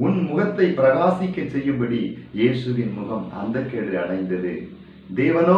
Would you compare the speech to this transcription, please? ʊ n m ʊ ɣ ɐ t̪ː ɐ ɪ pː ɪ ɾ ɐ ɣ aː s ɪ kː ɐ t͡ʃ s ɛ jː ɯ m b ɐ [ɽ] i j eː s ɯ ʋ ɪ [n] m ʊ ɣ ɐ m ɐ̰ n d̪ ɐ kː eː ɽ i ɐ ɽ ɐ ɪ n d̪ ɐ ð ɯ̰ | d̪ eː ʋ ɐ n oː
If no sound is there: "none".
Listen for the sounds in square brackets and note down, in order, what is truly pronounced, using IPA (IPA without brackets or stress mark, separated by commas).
ɽ, n